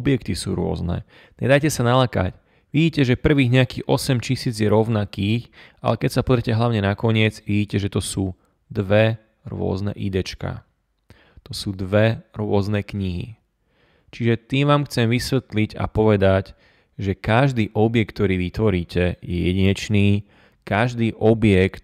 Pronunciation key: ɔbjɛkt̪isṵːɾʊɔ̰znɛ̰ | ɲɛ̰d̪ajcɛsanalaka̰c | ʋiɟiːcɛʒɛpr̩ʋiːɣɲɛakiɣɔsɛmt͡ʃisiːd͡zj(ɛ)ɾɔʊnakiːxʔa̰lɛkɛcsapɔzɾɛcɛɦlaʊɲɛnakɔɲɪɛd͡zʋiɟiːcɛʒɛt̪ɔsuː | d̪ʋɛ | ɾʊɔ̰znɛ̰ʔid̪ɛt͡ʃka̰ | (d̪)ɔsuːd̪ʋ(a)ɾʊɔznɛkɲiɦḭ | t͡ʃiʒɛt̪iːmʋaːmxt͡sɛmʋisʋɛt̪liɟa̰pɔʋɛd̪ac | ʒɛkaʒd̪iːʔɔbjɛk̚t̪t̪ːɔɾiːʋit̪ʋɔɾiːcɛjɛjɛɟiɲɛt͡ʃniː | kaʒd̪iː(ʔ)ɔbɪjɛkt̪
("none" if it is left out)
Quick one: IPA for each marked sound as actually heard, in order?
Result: ɛ, t̪, ɛ, ʔ

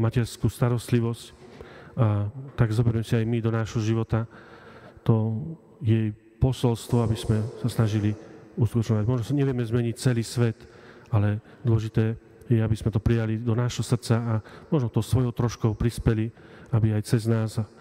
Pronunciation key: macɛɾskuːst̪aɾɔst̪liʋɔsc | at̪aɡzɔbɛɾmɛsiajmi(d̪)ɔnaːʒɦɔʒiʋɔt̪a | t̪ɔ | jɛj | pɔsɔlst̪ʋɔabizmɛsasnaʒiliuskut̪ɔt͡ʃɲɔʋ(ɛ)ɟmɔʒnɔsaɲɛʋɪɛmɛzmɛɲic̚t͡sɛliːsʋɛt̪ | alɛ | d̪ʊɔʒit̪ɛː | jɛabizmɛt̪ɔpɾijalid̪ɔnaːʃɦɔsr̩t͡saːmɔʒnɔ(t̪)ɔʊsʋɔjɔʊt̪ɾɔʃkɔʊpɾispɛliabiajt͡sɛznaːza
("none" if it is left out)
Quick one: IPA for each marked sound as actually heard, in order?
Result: d̪, a, t̪

